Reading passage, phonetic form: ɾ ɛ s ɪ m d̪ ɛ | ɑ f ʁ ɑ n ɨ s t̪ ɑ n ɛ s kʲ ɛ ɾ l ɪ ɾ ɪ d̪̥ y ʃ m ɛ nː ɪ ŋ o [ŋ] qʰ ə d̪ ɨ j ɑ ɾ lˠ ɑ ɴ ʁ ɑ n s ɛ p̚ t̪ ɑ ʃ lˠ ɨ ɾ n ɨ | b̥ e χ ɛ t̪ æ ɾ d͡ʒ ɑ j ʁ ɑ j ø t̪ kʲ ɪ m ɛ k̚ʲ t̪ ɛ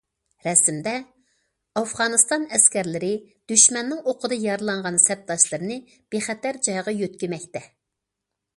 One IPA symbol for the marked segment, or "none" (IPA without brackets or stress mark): none